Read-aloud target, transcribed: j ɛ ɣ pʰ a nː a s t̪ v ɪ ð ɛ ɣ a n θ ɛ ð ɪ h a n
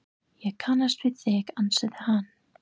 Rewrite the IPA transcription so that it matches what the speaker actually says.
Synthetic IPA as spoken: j ɛ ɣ kʰ a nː a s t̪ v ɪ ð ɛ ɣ a n s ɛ ð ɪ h a n